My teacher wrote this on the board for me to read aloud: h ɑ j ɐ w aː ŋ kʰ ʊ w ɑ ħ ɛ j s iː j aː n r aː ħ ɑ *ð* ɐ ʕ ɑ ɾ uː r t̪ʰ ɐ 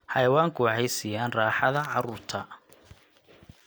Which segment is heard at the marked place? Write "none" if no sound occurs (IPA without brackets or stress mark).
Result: ð